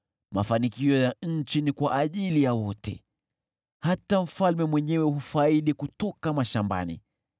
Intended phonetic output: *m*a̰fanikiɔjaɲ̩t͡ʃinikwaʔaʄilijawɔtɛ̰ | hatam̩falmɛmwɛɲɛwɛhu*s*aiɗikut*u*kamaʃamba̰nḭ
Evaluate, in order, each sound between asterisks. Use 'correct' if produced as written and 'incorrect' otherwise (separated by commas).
correct, incorrect, incorrect